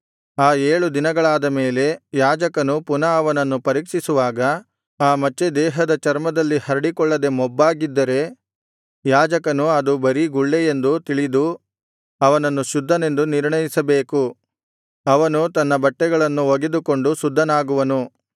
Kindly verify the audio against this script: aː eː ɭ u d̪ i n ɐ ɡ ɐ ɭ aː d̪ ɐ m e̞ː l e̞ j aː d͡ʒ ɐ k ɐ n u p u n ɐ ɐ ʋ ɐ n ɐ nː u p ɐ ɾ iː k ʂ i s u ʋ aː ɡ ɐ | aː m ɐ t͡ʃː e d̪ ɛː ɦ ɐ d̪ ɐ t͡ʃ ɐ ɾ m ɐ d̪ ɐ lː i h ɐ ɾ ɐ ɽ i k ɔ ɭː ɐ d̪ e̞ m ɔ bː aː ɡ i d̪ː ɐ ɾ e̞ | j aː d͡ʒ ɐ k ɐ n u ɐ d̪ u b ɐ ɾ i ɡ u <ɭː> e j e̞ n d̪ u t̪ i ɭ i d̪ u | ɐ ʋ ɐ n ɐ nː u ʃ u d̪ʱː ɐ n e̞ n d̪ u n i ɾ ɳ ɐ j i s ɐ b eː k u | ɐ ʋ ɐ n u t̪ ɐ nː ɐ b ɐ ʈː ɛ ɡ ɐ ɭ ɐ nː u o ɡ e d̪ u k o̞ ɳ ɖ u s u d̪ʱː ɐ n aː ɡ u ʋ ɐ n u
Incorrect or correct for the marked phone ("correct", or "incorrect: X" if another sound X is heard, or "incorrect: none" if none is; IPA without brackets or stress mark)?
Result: correct